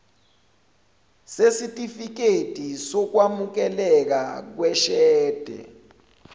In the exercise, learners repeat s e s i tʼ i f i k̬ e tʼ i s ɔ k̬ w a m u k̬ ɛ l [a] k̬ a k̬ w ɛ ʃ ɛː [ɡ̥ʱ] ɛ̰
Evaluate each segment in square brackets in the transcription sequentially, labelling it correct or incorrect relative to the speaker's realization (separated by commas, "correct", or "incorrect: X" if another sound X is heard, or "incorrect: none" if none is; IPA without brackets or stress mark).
incorrect: ɛ, incorrect: d̥ʱ